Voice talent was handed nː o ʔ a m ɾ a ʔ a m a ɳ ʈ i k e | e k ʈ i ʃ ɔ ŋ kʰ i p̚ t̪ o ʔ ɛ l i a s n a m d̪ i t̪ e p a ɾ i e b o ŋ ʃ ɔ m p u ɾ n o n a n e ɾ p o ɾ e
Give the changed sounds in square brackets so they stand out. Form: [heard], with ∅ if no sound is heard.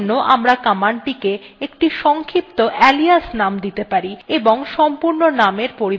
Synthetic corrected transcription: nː o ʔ a m ɾ a [k] a m a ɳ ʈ i k e | e k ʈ i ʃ ɔ ŋ kʰ i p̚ t̪ o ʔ ɛ l i a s n a m d̪ i t̪ e p a ɾ i e b o ŋ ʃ ɔ m p u ɾ n o n a [m] e ɾ p o ɾ [i]